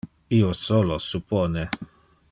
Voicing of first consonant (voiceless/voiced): voiceless